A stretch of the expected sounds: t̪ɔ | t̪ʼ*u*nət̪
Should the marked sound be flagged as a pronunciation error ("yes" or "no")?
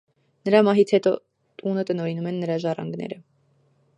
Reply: no